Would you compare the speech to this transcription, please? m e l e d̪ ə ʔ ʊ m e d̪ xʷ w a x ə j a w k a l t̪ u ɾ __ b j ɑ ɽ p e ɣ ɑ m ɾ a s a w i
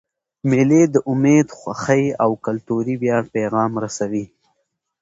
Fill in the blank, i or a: i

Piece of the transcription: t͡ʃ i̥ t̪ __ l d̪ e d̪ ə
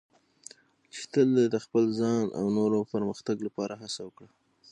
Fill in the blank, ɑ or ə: ə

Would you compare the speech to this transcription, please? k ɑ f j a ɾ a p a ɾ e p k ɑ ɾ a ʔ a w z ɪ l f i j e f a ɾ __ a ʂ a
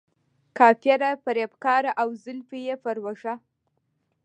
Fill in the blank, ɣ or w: w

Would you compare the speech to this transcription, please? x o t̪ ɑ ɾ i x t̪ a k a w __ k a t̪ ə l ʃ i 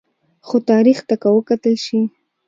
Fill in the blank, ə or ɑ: ə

